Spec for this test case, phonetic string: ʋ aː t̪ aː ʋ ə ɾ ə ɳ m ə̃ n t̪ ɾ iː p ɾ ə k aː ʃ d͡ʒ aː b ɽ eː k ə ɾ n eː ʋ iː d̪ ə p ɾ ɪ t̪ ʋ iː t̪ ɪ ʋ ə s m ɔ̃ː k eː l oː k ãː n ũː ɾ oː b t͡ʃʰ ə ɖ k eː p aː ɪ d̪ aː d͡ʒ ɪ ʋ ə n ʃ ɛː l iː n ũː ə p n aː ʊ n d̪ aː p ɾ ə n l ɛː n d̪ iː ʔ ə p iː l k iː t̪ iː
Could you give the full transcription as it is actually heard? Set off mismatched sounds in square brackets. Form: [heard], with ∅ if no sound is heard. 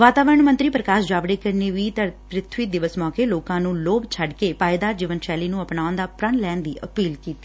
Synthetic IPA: ʋ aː t̪ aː ʋ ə ɾ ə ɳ m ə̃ n t̪ ɾ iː p ɾ ə k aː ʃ d͡ʒ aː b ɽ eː k ə ɾ n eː ʋ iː [t̪] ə p ɾ ɪ [t̪ʰ] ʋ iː [d̪] ɪ ʋ ə s m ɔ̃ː k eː l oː k ãː n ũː [l] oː b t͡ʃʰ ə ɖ k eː p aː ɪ d̪ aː d͡ʒ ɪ ʋ ə n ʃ ɛː l iː n ũː ə p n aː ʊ n d̪ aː p ɾ ə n l ɛː n d̪ iː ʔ ə p iː l k iː t̪ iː

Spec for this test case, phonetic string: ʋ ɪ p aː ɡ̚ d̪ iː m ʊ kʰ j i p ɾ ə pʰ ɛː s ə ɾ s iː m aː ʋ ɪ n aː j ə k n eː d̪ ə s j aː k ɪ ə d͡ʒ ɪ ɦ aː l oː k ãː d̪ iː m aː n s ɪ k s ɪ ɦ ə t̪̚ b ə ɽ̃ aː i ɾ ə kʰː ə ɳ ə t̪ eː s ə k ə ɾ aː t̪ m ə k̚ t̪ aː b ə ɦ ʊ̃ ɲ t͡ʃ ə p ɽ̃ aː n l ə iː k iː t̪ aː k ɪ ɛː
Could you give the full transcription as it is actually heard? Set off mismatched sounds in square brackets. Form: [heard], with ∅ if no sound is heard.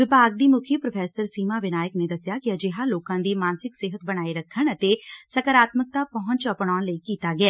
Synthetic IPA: ʋ ɪ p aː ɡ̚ d̪ iː m ʊ kʰ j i p ɾ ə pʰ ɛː s ə ɾ s iː m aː ʋ ɪ n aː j ə k n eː d̪ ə s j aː k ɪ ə d͡ʒ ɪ ɦ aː l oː k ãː d̪ iː m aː n s ɪ k s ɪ ɦ ə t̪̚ b ə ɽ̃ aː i ɾ ə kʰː ə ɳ ə t̪ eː s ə k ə ɾ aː t̪ m ə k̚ t̪ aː [p] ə ɦ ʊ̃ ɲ t͡ʃ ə p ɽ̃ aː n l ə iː k iː t̪ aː [ɡ] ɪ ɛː

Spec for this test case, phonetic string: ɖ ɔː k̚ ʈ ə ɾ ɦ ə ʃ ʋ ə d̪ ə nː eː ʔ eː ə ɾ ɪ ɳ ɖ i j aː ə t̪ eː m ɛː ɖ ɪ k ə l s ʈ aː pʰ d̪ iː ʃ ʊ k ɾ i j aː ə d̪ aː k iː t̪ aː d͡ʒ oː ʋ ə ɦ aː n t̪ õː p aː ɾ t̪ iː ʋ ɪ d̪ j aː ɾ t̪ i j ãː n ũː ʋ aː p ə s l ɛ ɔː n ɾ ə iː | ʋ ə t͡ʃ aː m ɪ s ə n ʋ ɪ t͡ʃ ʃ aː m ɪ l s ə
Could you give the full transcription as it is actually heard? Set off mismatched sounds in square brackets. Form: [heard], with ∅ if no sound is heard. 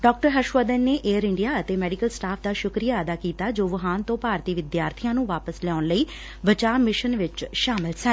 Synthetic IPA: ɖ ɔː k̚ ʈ ə ɾ ɦ ə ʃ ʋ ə d̪ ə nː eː ʔ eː ə ɾ ɪ ɳ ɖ i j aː ə t̪ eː m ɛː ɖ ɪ k ə l s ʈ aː pʰ d̪ [aː] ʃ ʊ k ɾ i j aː ə d̪ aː k iː t̪ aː d͡ʒ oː ʋ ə ɦ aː n t̪ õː p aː ɾ t̪ iː ʋ ɪ d̪ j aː ɾ [t̪ʰ] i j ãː n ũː ʋ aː p ə s l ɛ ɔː n [l] ə iː | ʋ ə t͡ʃ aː m ɪ [ʃ] ə n ʋ ɪ t͡ʃ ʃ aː m ɪ l s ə

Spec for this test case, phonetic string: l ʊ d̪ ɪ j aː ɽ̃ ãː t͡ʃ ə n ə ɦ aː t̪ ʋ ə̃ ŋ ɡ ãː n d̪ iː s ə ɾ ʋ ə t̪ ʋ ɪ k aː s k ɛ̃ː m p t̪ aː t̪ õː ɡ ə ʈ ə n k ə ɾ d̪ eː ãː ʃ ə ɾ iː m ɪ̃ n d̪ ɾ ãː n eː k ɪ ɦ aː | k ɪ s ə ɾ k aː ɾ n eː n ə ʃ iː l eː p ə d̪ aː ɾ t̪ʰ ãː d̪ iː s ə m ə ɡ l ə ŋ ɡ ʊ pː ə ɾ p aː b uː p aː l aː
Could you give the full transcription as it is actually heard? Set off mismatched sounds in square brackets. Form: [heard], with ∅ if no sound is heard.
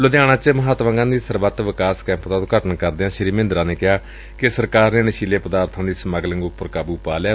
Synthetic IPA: l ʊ d̪ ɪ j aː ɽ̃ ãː t͡ʃ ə [m] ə ɦ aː t̪ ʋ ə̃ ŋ ɡ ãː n d̪ iː s ə ɾ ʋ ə t̪ ʋ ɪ k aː s k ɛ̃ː m p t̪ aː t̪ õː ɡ ə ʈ ə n k ə ɾ d̪ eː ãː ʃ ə ɾ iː m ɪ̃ n d̪ ɾ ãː n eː k ɪ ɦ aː | k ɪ s ə ɾ k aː ɾ n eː n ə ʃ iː l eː p ə d̪ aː ɾ t̪ʰ ãː d̪ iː s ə m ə ɡ l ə ŋ ɡ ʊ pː ə ɾ [k] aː b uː p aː l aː

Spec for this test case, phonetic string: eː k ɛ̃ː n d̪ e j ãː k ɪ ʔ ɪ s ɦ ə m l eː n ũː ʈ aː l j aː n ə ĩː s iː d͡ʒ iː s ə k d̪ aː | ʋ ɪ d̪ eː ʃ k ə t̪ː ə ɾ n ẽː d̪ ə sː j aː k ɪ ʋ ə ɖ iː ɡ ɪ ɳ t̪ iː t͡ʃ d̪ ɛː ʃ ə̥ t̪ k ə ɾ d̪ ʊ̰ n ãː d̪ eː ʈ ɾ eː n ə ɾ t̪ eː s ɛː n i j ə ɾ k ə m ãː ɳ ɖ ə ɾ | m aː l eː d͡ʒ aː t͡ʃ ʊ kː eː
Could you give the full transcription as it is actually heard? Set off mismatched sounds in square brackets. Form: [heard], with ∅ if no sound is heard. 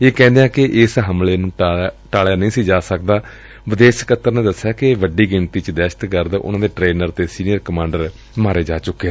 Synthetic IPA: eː k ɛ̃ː n d̪ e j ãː k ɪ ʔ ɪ s ɦ ə m l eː n ũː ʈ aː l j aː n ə ĩː s iː d͡ʒ [aː] s ə k d̪ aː | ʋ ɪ d̪ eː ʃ k ə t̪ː ə ɾ n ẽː d̪ ə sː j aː k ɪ ʋ ə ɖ iː ɡ ɪ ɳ t̪ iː t͡ʃ d̪ ɛː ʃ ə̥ t̪ k ə ɾ d̪ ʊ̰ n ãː d̪ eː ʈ ɾ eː n ə ɾ t̪ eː s [iː] n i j ə ɾ k ə m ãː ɳ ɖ ə ɾ | m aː [ɾ] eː d͡ʒ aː t͡ʃ ʊ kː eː

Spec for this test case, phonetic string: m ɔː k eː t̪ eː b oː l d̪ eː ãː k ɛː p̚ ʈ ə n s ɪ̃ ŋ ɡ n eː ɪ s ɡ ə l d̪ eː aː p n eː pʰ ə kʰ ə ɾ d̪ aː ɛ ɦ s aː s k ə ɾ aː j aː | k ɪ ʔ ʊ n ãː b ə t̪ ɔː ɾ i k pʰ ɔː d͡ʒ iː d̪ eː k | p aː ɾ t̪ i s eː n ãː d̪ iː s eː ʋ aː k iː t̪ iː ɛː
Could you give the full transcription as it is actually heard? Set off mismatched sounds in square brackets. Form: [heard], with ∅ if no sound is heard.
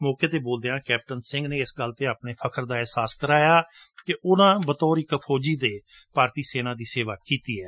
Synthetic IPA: m ɔː k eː t̪ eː b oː l d̪ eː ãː k ɛː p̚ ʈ ə n s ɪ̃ ŋ ɡ n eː ɪ s ɡ ə l [t̪] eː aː p n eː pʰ ə kʰ ə ɾ d̪ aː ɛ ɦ s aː s k ə ɾ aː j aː | k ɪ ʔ ʊ n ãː b ə t̪ ɔː ɾ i k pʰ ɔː d͡ʒ iː d̪ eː [∅] | p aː ɾ t̪ [iː] s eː n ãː d̪ iː s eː ʋ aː k iː t̪ iː ɛː

